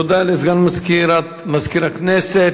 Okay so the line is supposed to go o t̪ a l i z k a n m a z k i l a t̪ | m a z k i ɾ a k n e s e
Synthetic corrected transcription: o d̪ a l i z ɡ a n m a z k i ɾ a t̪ | m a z k i ɾ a k n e s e